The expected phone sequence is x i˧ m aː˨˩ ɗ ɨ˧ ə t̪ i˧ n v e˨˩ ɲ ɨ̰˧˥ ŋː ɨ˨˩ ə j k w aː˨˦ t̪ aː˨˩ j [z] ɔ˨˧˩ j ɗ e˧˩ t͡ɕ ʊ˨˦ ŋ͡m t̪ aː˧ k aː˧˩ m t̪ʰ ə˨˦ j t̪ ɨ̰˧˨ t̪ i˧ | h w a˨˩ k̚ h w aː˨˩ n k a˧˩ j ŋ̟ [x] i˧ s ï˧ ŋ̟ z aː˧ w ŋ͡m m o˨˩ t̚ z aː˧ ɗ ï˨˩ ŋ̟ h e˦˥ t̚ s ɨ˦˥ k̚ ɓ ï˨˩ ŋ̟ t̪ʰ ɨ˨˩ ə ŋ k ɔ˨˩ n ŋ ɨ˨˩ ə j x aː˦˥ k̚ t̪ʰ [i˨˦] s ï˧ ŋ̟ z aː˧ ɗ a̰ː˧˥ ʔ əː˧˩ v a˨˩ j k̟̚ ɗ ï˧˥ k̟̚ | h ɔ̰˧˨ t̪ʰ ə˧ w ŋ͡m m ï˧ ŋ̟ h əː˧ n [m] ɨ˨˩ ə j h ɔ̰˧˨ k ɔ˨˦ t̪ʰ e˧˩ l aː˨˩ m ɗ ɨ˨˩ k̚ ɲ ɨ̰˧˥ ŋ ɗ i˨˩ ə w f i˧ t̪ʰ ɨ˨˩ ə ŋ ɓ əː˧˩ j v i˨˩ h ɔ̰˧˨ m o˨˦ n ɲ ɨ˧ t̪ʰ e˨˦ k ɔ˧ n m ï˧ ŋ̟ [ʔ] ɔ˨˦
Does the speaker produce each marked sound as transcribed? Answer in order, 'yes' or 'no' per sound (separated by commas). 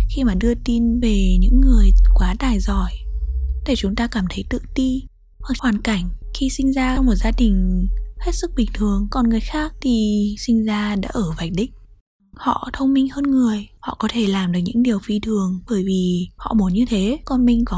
yes, yes, no, no, no